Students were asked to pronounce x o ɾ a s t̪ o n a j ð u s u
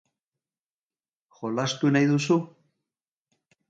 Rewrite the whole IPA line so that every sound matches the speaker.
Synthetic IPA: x o l a s t̪ u n a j ð u s u